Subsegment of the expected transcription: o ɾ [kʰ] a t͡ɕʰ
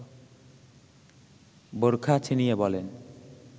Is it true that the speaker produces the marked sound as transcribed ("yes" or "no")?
yes